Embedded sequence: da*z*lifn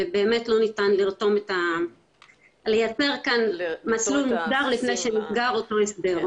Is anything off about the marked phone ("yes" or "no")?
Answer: yes